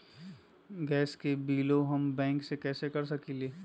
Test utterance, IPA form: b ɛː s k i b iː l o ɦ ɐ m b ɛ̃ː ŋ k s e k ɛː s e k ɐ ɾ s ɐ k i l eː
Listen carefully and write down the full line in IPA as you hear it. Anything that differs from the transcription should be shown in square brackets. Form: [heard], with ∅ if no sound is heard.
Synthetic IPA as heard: [ɡ] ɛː s k [e] b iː l o ɦ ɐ m b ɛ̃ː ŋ k s e k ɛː s e k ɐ ɾ s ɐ k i l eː